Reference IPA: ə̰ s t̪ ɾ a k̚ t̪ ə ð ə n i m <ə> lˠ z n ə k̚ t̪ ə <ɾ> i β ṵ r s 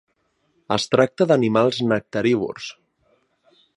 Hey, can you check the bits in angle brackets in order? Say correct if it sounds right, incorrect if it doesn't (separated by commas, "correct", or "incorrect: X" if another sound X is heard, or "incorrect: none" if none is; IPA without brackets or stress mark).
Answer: incorrect: a, correct